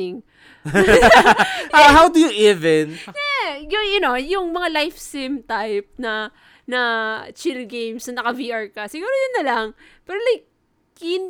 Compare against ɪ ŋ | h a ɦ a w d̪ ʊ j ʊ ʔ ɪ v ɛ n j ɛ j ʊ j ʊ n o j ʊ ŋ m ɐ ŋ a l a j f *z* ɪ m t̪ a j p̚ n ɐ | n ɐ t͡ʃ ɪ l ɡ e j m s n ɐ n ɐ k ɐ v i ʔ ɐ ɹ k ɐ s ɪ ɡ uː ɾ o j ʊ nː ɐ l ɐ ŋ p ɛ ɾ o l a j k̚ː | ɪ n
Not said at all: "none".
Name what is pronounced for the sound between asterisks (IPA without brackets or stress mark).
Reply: s